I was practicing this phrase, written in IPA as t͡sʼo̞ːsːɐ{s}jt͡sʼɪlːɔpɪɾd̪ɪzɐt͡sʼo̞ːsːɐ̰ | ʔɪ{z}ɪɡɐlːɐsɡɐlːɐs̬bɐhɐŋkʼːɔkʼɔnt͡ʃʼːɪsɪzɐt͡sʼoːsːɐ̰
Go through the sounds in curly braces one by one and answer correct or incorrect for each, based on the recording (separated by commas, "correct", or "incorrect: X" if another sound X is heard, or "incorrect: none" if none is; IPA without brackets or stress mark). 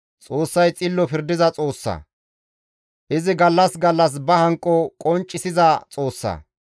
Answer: incorrect: none, correct